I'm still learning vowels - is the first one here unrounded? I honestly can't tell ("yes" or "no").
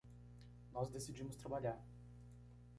no